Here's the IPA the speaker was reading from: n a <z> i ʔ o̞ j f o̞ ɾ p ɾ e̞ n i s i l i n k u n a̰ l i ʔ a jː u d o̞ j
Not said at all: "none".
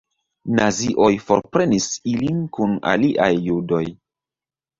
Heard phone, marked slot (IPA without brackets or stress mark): z